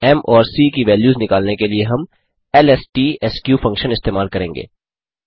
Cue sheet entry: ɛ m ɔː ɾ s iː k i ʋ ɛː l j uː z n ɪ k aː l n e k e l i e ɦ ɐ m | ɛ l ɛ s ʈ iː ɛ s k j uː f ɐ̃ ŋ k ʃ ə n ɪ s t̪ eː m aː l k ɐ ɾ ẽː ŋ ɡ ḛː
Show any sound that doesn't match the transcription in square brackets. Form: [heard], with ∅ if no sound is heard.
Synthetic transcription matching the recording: ɛ m ɔː ɾ s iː k i ʋ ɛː l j uː z n ɪ k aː l n e k e l i e ɦ ɐ m | ɛ l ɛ s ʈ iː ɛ s k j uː f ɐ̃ ŋ k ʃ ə n ɪ s t̪ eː m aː l k ɐ ɾ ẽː ŋ ɡ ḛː